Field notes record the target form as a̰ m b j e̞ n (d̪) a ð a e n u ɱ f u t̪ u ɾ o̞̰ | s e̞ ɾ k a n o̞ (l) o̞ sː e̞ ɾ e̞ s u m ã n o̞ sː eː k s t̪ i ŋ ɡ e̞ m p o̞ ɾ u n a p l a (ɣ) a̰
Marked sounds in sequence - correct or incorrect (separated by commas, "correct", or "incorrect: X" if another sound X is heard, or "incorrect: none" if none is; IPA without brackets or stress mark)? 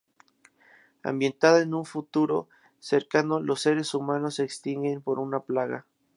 incorrect: t̪, correct, correct